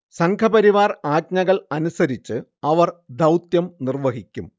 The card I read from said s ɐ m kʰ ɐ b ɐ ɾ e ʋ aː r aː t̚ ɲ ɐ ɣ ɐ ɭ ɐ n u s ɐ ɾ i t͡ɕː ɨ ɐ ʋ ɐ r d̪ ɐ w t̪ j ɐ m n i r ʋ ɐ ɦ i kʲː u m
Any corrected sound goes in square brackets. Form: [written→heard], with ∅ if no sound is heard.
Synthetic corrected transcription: s ɐ [m→ŋ] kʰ ɐ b ɐ ɾ [e→i] ʋ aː r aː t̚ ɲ ɐ ɣ ɐ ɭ ɐ n u s ɐ ɾ i t͡ɕː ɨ ɐ ʋ ɐ r d̪ ɐ w t̪ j ɐ m n i r ʋ ɐ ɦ i kʲː u m

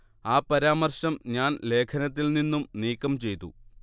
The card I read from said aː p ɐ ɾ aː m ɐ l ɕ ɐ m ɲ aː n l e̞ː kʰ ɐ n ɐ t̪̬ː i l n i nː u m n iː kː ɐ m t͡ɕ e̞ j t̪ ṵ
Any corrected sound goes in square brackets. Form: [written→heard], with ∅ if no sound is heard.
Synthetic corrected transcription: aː p ɐ ɾ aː m ɐ [l→r] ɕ ɐ m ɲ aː n l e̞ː kʰ ɐ n ɐ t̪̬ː i l n i nː u m n iː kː ɐ m t͡ɕ e̞ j t̪ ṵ

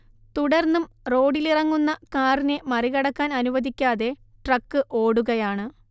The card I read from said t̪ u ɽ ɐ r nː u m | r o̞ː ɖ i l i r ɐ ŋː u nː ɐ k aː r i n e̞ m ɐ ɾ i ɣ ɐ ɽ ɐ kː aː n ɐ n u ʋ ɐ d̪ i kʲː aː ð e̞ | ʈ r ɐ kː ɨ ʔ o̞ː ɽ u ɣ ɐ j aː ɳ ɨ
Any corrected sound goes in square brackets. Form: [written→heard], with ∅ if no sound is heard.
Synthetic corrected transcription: t̪ u ɽ ɐ r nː u m | r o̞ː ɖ i l i r ɐ ŋː u nː ɐ k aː r i n e̞ m ɐ [ɾ→r] i ɣ ɐ ɽ ɐ kː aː n ɐ n u ʋ ɐ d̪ i kʲː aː ð e̞ | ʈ r ɐ kː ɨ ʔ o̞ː ɽ u ɣ ɐ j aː ɳ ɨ

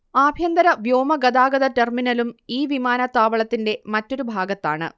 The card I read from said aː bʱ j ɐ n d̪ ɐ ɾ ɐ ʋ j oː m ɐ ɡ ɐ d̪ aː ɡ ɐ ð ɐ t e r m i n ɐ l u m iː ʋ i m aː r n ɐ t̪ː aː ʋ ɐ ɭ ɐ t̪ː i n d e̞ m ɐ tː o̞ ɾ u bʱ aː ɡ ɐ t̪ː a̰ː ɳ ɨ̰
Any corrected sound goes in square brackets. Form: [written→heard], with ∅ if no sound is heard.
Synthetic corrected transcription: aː bʱ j ɐ n d̪ ɐ ɾ ɐ ʋ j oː m ɐ ɡ ɐ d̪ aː ɡ ɐ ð ɐ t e r m i n ɐ l u m iː ʋ i m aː [r→∅] n ɐ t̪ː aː ʋ ɐ ɭ ɐ t̪ː i n d e̞ m ɐ tː o̞ ɾ u bʱ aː ɡ ɐ t̪ː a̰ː ɳ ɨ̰

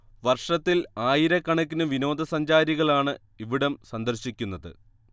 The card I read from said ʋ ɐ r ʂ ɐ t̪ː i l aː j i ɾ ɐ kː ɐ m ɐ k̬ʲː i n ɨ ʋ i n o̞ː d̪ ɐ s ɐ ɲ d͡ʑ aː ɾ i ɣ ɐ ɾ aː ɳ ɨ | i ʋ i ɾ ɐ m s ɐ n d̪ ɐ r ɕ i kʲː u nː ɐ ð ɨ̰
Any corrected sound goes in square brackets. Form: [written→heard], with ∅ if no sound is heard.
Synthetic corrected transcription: ʋ ɐ r ʂ ɐ t̪ː i l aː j i ɾ ɐ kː ɐ [m→ɳ] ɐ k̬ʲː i n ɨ ʋ i n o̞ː d̪ ɐ s ɐ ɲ d͡ʑ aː ɾ i ɣ ɐ [ɾ→ɭ] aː ɳ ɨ | i ʋ i [ɾ→ɽ] ɐ m s ɐ n d̪ ɐ r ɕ i kʲː u nː ɐ ð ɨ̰

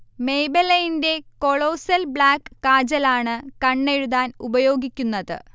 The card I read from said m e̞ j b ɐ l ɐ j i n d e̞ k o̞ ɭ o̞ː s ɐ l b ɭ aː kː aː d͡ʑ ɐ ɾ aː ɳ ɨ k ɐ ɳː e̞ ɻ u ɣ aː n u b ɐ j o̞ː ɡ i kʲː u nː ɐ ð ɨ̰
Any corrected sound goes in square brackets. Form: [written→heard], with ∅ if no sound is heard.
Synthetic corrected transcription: m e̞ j b ɐ l ɐ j i n d e̞ k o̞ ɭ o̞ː s ɐ l b ɭ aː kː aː d͡ʑ ɐ [ɾ→l] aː ɳ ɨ k ɐ ɳː e̞ ɻ u [ɣ→ð] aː n u b ɐ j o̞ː ɡ i kʲː u nː ɐ ð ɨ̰

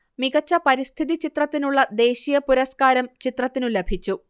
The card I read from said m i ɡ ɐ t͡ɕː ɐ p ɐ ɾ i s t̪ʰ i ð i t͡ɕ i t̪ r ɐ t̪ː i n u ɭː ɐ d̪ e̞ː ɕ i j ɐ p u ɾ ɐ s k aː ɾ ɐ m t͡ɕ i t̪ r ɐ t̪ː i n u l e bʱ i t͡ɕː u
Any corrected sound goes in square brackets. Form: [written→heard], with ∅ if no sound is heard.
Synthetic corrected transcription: m i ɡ ɐ t͡ɕː ɐ p ɐ ɾ i s t̪ʰ i ð i t͡ɕ i t̪ r ɐ t̪ː i n u ɭː ɐ d̪ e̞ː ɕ i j ɐ p u ɾ ɐ s k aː ɾ ɐ m t͡ɕ i t̪ r ɐ t̪ː i n u l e bʱ i t͡ɕː u

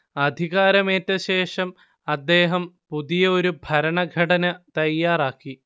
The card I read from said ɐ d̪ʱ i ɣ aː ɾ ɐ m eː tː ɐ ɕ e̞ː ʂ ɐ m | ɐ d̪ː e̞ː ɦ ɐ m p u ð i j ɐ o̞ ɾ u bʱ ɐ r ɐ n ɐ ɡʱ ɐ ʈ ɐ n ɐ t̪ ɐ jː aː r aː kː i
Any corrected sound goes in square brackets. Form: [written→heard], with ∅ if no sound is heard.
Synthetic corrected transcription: ɐ d̪ʱ i ɣ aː ɾ ɐ m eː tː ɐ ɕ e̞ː ʂ ɐ m | ɐ d̪ː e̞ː ɦ ɐ m p u ð i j ɐ o̞ ɾ u bʱ ɐ [r→ɾ] ɐ [n→ɳ] ɐ ɡʱ ɐ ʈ ɐ n ɐ t̪ ɐ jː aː r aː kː i

